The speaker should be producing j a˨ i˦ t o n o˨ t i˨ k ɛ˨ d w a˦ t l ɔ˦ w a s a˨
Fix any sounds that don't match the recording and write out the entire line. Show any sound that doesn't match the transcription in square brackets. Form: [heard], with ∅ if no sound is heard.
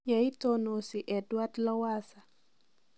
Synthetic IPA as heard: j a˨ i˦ t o n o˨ [s] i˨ [ʔ] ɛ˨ d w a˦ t l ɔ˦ w a s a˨